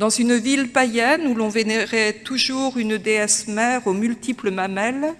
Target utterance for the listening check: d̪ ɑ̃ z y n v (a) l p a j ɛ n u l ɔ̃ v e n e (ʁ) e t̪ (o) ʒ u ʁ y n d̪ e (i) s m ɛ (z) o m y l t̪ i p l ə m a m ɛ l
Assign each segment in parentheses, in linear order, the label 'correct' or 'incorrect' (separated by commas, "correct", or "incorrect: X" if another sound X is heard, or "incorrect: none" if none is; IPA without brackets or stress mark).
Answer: incorrect: i, correct, incorrect: u, incorrect: ɛ, incorrect: ʁ